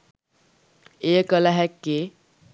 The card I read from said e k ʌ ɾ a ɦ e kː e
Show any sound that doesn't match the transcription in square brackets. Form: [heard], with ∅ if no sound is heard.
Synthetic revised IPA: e k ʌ [l] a ɦ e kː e